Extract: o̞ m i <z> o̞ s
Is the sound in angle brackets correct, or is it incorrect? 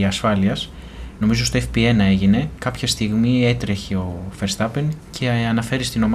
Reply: correct